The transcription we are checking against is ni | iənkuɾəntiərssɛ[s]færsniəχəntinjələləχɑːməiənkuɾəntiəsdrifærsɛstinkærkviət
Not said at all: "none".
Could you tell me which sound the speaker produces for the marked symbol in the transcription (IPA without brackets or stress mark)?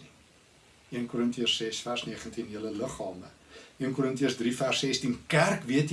s